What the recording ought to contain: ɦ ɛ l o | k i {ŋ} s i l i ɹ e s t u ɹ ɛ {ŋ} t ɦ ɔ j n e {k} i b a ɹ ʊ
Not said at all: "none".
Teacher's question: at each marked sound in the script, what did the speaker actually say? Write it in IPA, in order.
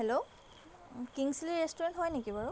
ŋ, n, k

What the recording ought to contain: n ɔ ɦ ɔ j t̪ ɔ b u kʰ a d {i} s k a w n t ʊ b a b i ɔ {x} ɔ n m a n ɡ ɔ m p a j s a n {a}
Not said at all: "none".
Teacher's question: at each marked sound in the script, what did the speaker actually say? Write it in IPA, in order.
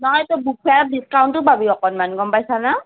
i, k, a

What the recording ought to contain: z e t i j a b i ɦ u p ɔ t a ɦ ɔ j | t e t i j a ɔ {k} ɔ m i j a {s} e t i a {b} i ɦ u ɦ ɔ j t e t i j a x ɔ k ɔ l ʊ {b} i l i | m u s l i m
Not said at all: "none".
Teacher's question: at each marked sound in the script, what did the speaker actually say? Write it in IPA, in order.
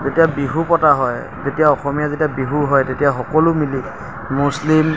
x, z, b, m

